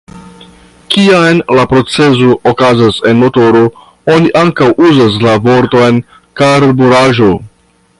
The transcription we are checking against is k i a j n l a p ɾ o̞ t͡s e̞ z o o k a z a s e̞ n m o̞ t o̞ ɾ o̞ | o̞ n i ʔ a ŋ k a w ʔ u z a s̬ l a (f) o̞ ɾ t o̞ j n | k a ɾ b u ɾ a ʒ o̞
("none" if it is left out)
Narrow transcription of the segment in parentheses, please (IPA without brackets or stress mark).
v